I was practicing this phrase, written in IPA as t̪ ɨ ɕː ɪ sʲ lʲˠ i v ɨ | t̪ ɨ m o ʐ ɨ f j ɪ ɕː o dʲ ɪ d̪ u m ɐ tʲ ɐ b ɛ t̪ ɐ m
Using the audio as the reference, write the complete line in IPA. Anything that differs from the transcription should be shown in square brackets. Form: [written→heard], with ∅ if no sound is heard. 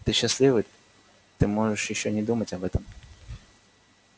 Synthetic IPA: t̪ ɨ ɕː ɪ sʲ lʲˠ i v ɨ | t̪ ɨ m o ʐ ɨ [f→ʂ] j ɪ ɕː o [dʲ→nʲ] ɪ d̪ u m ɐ tʲ ɐ b ɛ t̪ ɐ m